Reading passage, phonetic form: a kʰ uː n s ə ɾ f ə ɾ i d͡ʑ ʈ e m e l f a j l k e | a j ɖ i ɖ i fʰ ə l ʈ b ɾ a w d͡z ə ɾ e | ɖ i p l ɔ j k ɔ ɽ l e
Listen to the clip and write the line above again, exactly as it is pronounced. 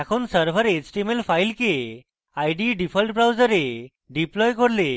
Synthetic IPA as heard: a kʰ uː n s ə ɾ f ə ɾ e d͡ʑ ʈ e m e l f a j l k e | a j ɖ i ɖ i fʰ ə l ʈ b ɾ a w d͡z ə ɾ e | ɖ i p l ɔ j k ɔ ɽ l e